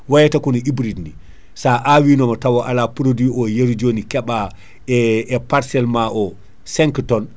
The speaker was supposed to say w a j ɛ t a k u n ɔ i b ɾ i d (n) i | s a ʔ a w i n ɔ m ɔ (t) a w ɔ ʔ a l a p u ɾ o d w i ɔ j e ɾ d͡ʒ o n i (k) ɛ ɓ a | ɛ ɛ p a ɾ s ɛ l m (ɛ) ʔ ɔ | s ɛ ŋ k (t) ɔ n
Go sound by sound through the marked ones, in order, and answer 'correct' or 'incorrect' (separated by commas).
correct, correct, correct, incorrect, correct